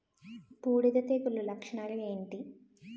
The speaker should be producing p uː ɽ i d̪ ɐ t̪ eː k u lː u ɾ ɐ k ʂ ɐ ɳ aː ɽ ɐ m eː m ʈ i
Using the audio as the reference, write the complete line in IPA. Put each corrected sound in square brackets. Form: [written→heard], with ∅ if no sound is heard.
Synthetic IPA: p uː ɽ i d̪ ɐ t̪ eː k u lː u [ɾ→l] ɐ k ʂ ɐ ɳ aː [ɽ→l] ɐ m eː [m→ɳ] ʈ i